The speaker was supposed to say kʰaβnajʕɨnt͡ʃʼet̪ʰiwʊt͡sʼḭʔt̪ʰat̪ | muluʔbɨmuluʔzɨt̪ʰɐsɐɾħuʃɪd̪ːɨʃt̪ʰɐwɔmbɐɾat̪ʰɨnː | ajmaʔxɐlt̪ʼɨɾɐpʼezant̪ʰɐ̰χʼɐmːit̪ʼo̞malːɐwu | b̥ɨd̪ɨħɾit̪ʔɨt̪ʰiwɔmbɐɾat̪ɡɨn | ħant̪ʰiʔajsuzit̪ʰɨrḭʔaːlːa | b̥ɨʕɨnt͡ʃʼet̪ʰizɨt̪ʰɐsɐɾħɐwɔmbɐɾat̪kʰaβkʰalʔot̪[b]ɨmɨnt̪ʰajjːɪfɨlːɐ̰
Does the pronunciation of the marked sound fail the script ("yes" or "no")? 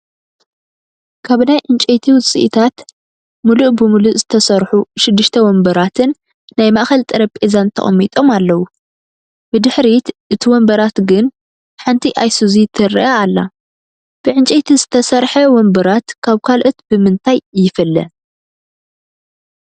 no